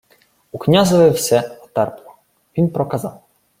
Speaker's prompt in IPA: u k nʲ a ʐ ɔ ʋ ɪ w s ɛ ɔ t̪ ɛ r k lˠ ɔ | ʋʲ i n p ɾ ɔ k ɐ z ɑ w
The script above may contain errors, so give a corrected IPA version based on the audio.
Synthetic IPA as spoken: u k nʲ a z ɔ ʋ ɪ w s ɛ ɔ t̪ ɛ r p lˠ ɔ | ʋʲ i n p ɾ ɔ k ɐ z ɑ w